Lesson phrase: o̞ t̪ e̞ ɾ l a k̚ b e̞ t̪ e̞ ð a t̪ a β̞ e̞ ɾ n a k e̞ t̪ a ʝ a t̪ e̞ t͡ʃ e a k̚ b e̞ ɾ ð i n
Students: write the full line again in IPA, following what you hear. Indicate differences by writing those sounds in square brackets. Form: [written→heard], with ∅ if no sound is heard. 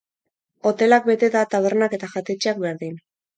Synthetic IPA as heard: o̞ t̪ e̞ [ɾ→∅] l a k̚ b e̞ t̪ e̞ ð a t̪ a β̞ e̞ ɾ n a k e̞ t̪ a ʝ a t̪ e̞ t͡ʃ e a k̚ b e̞ ɾ ð i n